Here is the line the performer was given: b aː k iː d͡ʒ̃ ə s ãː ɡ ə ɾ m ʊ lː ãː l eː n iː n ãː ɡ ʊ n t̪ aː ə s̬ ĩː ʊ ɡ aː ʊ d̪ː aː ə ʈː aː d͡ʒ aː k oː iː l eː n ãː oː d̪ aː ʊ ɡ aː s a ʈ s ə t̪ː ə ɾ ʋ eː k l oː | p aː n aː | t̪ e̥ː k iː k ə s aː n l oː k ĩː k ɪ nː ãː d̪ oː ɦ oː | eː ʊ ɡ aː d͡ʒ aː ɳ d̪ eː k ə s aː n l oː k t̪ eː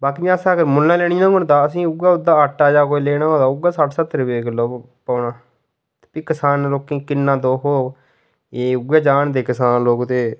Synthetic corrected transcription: b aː k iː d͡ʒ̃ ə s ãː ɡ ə ɾ m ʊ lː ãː l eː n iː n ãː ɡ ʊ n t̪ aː ə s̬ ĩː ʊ ɡ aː ʊ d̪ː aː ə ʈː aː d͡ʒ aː k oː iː l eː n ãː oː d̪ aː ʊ ɡ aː s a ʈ s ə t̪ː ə ɾ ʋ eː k l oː | p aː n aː | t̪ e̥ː p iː k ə s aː n l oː k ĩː k ɪ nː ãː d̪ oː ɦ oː | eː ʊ ɡ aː d͡ʒ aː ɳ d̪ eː k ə s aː n l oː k t̪ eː